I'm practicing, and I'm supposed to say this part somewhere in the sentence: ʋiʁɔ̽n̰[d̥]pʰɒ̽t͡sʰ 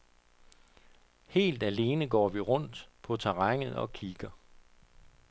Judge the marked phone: correct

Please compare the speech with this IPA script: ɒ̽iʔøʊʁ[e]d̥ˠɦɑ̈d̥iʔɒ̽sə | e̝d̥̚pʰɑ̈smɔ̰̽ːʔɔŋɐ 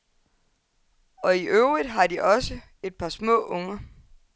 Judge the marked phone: incorrect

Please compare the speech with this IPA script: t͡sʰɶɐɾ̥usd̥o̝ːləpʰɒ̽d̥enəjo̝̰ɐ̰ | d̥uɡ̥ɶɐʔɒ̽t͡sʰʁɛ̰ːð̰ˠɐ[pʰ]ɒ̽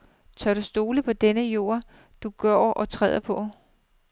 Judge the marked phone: correct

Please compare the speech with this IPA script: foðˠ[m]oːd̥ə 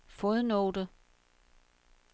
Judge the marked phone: incorrect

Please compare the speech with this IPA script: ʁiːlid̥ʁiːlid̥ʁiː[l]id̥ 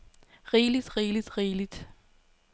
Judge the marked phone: correct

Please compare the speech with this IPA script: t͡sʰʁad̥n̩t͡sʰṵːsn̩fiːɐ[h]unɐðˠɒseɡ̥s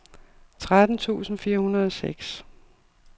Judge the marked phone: correct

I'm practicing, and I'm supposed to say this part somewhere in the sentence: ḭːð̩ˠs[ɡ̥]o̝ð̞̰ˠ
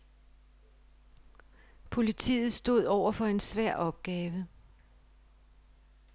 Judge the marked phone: incorrect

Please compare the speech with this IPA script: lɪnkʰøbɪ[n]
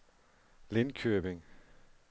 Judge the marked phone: incorrect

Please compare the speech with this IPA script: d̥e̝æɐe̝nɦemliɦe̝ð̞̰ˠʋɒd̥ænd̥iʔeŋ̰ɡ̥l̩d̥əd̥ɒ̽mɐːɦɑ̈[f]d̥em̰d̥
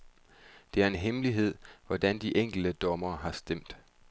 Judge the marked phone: incorrect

